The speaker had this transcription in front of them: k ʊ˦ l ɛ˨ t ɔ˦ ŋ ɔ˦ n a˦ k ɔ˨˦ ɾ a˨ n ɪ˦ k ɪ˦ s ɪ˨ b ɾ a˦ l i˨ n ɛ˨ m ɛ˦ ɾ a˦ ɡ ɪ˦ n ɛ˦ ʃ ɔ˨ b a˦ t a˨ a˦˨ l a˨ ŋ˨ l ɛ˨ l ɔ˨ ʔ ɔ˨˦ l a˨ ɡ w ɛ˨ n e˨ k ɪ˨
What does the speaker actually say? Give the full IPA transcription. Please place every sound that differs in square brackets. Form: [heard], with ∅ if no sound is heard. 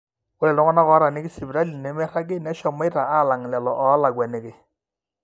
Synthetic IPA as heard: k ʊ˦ l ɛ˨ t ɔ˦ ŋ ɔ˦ n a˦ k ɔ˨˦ ɾ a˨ n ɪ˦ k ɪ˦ s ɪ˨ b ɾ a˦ l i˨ n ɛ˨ m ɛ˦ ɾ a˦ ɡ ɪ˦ n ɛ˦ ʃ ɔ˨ [m] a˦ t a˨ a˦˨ l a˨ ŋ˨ l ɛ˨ l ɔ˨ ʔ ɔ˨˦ l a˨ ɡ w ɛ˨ n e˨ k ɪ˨